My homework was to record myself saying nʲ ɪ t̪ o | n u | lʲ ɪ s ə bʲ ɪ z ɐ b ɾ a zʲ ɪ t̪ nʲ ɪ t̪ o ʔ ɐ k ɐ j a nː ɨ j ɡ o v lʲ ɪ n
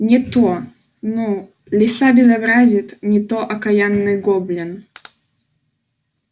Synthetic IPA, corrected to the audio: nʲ ɪ t̪ o | n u | lʲ ɪ s a bʲ ɪ z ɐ b ɾ a zʲ ɪ t̪ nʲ ɪ t̪ o ʔ ɐ k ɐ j a nː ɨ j ɡ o b lʲ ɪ n

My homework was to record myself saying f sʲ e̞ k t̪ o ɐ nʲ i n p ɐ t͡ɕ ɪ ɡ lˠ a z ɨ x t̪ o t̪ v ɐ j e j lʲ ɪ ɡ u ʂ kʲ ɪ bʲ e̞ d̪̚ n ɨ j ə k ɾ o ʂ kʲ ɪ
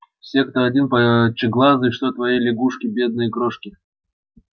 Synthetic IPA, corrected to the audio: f sʲ e̞ k t̪ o ɐ dʲ i n p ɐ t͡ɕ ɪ ɡ lˠ a z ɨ ʂ t̪ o t̪ v ɐ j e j lʲ ɪ ɡ u ʂ kʲ ɪ bʲ e̞ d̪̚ n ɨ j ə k ɾ o ʂ kʲ ɪ

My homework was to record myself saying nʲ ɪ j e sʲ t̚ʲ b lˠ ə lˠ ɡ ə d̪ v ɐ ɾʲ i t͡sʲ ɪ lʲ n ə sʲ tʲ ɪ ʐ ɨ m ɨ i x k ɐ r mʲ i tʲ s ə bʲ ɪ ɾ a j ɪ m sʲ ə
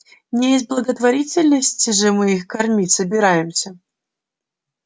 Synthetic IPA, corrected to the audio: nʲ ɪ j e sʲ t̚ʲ b lˠ ə ɡ ə t̪ v ɐ ɾʲ i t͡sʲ ɪ lʲ n ə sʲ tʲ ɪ ʐ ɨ m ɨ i x k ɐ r mʲ i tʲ s ə bʲ ɪ ɾ a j ɪ m sʲ ə

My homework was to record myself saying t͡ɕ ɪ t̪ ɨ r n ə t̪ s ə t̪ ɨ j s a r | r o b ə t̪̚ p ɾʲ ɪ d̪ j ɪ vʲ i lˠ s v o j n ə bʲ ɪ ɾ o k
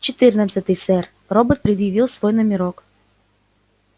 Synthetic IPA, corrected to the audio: t͡ɕ ɪ t̪ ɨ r n ə t̪ s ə t̪ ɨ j s ɛ r | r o b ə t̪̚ p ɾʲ ɪ d̪ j ɪ vʲ i lˠ s v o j n ə mʲ ɪ ɾ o k

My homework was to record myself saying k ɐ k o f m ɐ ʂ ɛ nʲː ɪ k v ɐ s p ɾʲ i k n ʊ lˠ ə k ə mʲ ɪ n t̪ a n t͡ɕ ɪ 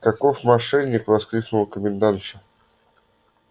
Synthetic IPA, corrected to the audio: k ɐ k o f m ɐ ʂ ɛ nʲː ɪ k v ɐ s k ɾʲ i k n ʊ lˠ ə k ə mʲ ɪ n d̪ a n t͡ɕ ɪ

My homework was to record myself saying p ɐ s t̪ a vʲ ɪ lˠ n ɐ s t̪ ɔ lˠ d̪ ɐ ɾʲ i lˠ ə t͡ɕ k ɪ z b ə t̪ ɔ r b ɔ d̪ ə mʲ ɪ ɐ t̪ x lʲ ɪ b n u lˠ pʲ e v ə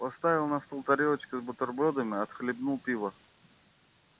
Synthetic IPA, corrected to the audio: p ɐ s t̪ a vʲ ɪ lˠ n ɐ s t̪ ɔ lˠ t̪ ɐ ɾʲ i lˠ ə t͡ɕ k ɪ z b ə t̪ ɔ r b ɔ d̪ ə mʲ ɪ ɐ t̪ x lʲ ɪ b n u lˠ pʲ i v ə

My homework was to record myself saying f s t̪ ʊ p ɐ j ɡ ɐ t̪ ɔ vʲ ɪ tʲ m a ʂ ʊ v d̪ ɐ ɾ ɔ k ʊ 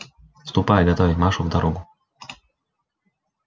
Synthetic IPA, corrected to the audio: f s t̪ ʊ p a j ɡ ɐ t̪ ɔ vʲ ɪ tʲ m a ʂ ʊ v d̪ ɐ ɾ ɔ ɡ ʊ

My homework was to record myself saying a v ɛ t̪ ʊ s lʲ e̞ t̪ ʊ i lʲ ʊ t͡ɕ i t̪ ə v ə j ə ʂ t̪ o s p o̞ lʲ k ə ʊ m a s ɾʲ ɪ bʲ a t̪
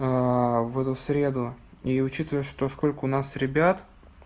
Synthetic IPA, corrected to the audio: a v ɛ t̪ ʊ s ɾʲ e̞ d̪ ʊ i ʊ t͡ɕ i t̪ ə v ə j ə ʂ t̪ o s k o̞ lʲ k ə ʊ n a s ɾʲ ɪ bʲ a t̪

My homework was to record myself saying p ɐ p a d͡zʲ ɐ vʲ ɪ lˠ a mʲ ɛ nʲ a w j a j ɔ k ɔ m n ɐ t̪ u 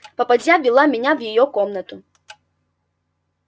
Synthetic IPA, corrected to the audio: p ɐ p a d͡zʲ a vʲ i lˠ a mʲ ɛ nʲ a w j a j ɔ k ɔ m n ɐ t̪ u

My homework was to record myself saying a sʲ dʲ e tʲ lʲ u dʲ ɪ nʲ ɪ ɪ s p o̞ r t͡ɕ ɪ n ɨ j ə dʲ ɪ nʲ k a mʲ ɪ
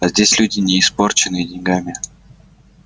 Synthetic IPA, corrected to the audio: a zʲ dʲ e sʲ lʲ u dʲ ɪ nʲ ɪ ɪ s p o̞ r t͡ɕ ɪ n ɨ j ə dʲ ɪ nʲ ɡ a mʲ ɪ

